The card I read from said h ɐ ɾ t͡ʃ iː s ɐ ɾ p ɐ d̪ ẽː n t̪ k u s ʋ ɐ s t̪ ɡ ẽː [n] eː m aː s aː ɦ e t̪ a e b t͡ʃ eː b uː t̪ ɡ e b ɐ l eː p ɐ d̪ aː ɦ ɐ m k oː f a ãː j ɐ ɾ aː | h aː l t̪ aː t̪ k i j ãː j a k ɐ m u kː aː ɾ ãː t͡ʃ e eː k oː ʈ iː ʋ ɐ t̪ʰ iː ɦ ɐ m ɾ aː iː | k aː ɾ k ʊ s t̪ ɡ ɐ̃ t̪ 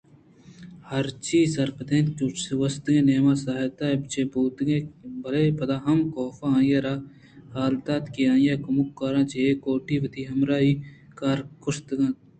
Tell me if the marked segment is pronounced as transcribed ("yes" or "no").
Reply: yes